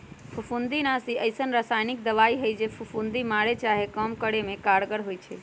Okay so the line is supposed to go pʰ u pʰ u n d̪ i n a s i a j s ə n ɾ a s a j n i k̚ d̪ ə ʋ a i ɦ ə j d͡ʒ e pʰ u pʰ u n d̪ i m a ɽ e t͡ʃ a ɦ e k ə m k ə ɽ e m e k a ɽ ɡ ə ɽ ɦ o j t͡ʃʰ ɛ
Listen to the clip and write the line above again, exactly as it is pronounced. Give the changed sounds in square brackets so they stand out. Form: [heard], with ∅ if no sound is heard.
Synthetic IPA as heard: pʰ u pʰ u n d̪ i n a s i [ə] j s ə n ɾ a s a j n i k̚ d̪ ə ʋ a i ɦ ə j d͡ʒ e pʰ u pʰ u n d̪ i m a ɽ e t͡ʃ a ɦ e k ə m k ə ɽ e m e k a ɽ ɡ ə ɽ ɦ o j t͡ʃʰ ɛ